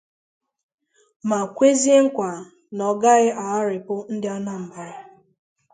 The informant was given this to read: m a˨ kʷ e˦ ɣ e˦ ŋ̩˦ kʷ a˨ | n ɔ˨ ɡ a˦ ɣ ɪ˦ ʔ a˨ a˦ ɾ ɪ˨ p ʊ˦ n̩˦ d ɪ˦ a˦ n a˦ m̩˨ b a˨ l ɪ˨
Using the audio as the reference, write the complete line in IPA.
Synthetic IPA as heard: m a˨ kʷ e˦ z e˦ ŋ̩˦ kʷ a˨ | n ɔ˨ ɡ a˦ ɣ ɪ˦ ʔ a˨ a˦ ɾ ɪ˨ p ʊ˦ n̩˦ d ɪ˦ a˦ n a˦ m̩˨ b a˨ ɾ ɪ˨